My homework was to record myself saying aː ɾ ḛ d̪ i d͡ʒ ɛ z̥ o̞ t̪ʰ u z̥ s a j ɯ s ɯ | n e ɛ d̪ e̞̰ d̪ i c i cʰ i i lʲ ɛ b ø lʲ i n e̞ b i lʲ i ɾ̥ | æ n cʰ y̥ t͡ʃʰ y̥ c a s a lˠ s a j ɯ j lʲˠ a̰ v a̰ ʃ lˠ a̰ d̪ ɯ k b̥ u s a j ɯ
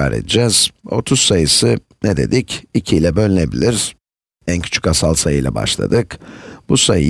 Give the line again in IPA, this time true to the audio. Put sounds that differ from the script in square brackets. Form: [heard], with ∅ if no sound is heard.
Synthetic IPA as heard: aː ɾ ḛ d̪ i d͡ʒ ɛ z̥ o̞ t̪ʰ u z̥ s a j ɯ s ɯ | n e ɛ d̪ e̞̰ d̪ i c i cʰ i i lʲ ɛ b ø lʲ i n e̞ b i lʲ i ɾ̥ | æ n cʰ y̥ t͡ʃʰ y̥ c a s a lˠ s a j ɯ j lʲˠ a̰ [b] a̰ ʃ lˠ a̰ d̪ ɯ k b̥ u s a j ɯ